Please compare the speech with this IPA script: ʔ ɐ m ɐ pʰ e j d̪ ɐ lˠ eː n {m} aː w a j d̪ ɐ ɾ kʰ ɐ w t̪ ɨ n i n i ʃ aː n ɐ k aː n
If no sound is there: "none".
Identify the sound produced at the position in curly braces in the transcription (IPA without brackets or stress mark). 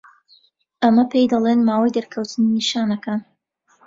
m